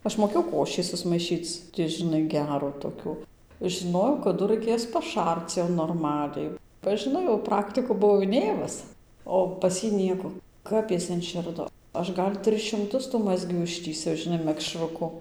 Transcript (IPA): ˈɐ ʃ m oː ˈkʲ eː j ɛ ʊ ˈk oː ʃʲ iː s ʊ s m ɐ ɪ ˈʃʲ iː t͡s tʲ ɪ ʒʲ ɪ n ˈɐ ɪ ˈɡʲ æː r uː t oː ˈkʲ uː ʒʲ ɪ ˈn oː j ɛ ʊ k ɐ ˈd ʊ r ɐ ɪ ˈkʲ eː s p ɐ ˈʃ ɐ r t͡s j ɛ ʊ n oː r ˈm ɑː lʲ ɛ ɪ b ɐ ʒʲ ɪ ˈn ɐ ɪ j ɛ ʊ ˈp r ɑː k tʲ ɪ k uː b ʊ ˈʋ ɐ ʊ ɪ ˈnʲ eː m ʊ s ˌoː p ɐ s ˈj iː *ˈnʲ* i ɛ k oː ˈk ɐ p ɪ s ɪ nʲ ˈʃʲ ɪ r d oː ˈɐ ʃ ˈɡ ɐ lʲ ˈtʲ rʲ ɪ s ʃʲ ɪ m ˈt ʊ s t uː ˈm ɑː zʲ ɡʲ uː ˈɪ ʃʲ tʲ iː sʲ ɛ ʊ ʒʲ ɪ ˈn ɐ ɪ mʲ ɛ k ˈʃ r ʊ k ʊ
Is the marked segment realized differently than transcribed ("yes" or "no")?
no